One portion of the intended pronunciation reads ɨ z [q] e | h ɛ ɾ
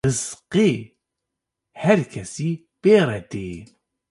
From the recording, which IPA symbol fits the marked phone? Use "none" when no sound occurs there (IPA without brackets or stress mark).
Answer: q